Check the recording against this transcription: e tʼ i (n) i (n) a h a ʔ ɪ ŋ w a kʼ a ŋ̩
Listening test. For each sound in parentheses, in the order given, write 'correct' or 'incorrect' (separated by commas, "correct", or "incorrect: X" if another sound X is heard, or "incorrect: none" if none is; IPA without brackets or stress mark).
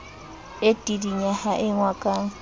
incorrect: d, incorrect: ɲ